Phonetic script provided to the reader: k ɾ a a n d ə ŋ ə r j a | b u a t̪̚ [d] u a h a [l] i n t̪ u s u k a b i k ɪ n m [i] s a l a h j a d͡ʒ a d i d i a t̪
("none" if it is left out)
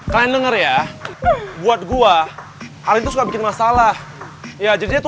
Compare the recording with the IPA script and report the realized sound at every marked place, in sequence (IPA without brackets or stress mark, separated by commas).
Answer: ɡ, ɾ, a